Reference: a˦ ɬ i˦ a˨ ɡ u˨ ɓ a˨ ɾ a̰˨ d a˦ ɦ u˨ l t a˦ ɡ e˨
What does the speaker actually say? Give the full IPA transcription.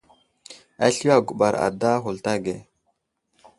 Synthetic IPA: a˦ ɬ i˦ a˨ ɡ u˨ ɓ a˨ ɾ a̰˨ d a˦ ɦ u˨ l t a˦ ɡ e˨